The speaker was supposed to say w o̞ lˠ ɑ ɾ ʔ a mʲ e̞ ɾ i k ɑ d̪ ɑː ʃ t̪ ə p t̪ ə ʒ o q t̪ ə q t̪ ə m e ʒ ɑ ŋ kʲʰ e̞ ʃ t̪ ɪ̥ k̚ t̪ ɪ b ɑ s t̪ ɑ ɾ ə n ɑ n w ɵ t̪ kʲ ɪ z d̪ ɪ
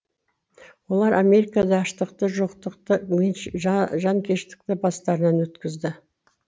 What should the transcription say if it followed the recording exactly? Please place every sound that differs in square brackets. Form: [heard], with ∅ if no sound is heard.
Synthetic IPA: w o̞ lˠ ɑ ɾ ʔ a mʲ e̞ ɾ i k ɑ d̪ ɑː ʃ t̪ ə [q] t̪ ə ʒ o q t̪ ə q t̪ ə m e ʒ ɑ ŋ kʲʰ e̞ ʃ t̪ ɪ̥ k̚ t̪ ɪ b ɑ s t̪ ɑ ɾ ə n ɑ n w ɵ t̪ kʲ ɪ z d̪ ɪ